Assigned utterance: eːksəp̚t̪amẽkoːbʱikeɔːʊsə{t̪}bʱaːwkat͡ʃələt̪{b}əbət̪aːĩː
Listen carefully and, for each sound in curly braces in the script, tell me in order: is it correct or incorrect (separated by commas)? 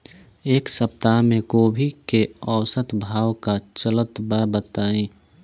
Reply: correct, correct